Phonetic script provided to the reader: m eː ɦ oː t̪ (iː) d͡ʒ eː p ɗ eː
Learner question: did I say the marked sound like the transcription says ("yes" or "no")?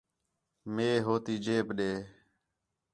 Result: yes